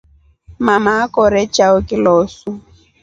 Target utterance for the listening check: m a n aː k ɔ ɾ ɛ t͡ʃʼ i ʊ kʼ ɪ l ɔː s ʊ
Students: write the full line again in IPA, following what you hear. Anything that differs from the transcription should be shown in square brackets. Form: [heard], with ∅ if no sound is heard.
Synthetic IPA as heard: m a [m] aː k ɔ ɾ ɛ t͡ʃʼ [a] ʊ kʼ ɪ l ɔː s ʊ